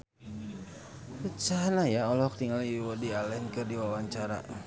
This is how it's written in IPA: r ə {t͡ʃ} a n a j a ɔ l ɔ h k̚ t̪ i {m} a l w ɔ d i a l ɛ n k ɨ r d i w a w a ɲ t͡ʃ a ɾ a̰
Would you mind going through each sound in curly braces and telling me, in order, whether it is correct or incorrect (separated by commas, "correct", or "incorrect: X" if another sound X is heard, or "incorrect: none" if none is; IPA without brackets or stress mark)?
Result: correct, incorrect: ŋ